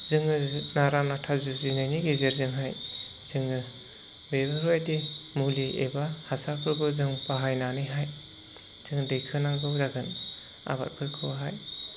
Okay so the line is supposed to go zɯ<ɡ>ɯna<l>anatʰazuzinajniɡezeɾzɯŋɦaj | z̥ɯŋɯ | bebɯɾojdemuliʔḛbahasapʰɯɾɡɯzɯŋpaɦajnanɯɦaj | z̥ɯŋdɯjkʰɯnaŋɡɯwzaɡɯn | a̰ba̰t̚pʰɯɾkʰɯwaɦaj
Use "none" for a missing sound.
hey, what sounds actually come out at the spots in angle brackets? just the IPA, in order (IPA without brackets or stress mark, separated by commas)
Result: ŋ, ɾ